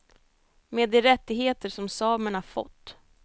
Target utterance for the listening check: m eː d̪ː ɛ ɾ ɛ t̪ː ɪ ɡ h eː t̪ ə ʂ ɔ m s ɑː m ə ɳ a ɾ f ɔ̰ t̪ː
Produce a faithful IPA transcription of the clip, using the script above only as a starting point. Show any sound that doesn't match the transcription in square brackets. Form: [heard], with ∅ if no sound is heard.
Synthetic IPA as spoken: m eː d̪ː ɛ ɾ ɛ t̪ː ɪ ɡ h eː t̪ ə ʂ ɔ m s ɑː m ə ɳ a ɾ f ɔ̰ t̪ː